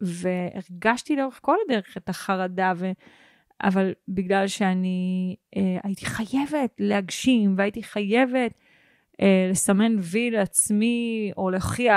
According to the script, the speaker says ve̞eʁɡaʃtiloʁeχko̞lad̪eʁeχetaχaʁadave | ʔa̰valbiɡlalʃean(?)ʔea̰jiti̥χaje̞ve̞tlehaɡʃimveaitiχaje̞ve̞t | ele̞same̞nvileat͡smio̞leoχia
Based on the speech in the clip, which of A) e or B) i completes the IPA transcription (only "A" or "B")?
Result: B